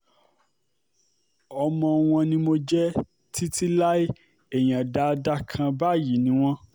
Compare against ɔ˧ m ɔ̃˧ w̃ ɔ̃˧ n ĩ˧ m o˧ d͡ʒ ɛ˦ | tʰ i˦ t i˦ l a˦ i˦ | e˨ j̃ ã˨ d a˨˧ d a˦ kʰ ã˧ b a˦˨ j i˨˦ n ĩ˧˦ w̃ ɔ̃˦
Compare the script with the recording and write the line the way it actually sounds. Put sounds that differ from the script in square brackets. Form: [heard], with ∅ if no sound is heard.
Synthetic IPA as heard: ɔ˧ m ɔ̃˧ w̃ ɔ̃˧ n ĩ˧ m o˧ d͡ʒ ɛ˦ | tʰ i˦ t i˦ l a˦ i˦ | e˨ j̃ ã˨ d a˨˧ d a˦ kʰ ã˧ b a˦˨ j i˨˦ n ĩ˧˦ w̃ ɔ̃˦